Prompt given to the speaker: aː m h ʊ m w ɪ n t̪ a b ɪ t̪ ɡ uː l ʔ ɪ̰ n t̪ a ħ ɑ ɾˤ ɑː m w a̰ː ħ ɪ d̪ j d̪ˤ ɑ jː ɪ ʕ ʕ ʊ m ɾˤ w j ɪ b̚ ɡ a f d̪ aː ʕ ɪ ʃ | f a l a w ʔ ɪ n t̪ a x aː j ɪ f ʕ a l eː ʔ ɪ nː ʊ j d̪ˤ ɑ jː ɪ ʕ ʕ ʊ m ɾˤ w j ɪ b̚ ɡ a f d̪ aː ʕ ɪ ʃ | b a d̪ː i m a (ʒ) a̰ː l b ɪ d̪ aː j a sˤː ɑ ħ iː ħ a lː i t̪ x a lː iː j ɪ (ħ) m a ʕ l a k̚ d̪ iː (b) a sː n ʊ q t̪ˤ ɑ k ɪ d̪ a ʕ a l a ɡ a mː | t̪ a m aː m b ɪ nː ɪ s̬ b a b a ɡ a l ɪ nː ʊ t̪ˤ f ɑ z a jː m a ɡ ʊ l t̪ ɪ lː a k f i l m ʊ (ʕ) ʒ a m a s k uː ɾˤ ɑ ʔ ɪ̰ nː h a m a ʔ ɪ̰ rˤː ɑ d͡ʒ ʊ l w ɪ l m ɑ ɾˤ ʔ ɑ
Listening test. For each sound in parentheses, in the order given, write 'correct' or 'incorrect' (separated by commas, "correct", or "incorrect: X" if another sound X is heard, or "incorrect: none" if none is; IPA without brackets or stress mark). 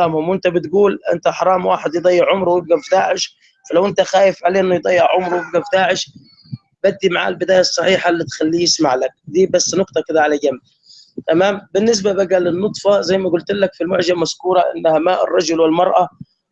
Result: incorrect: ʕ, incorrect: s, correct, correct